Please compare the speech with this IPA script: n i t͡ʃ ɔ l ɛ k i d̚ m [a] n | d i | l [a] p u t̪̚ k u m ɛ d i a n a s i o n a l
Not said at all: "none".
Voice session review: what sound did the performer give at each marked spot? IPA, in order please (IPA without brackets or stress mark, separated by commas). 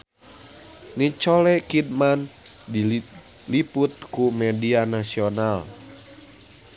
a, i